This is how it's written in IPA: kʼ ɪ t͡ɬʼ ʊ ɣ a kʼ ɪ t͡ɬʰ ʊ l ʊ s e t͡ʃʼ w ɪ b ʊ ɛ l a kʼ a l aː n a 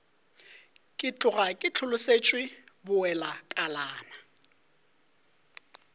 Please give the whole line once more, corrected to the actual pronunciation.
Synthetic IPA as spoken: kʼ ɪ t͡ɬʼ ʊ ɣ a kʼ ɪ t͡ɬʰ ʊ l ʊ s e t͡ʃʼ w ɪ b ʊ ɛ l a kʼ a l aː n a